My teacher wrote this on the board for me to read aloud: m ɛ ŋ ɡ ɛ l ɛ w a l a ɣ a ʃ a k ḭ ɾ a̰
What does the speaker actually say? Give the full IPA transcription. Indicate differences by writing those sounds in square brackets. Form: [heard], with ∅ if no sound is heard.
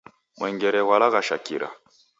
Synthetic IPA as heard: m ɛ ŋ ɡ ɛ [ɾ] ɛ w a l a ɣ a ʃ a k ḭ ɾ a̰